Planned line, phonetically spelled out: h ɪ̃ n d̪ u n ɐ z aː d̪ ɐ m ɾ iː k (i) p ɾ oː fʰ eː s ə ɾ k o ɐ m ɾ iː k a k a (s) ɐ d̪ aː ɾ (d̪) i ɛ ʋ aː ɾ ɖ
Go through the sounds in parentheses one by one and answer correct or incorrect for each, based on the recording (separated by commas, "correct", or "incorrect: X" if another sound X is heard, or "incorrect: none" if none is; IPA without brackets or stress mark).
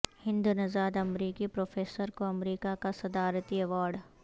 correct, correct, incorrect: t̪